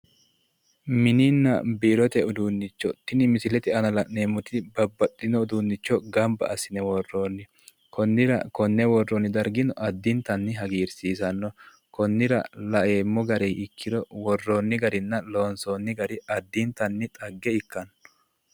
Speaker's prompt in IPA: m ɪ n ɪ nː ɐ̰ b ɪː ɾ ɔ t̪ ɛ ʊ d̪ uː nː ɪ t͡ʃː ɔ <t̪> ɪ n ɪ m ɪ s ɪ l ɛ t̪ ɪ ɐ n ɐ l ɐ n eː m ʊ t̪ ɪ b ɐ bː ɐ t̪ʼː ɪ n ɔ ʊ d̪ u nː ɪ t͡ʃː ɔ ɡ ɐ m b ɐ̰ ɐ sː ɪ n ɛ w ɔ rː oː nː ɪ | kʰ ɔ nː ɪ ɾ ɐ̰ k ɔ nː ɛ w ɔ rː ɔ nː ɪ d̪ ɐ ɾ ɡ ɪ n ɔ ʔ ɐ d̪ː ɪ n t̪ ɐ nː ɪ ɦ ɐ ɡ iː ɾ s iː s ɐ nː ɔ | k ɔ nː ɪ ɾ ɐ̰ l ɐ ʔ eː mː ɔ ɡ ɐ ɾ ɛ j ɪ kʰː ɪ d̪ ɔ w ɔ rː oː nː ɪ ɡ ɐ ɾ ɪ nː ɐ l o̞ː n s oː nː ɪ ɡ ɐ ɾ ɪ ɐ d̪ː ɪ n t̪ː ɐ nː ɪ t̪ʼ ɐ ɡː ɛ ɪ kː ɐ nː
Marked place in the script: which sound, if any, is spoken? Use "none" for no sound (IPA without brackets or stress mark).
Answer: t̪